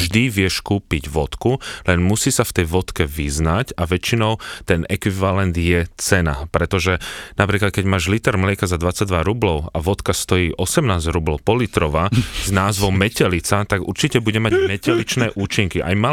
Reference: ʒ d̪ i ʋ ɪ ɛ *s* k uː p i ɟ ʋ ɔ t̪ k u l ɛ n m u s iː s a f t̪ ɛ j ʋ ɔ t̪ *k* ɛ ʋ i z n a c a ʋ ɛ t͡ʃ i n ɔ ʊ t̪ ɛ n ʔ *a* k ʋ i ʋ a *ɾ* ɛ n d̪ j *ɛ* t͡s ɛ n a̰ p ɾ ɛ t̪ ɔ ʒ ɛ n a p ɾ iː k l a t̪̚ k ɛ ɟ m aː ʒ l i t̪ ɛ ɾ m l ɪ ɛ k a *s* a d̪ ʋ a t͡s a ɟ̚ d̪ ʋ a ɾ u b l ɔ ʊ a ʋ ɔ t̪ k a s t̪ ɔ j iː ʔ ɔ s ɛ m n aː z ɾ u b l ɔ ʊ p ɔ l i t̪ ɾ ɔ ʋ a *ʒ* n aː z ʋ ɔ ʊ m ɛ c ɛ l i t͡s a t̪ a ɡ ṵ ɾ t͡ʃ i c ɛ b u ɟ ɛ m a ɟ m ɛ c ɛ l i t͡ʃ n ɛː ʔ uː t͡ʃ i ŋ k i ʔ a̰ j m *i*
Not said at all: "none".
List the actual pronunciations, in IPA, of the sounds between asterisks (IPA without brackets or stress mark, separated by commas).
ʃ, k, ɛ, l, ɛ, z, z, a